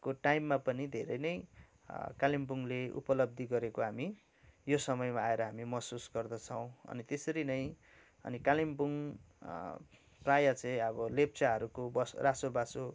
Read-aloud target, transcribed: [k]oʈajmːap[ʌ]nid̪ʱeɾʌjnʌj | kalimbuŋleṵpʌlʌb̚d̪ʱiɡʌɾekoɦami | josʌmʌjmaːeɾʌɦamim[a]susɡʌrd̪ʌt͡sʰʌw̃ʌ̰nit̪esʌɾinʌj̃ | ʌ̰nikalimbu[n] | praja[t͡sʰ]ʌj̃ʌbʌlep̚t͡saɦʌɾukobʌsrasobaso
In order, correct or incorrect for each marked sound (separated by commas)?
correct, correct, incorrect, incorrect, incorrect